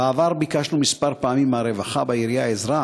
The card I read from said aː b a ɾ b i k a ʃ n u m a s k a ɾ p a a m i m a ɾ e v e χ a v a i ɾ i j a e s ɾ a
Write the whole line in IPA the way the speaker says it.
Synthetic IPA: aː v a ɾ b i k a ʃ n u m i s p a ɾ p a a m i m a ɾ e v a χ a b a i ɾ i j a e z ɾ a